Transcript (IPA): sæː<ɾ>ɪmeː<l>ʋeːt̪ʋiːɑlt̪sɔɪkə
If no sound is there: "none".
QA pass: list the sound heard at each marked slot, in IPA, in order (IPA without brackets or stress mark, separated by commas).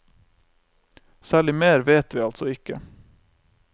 ɭ, ɾ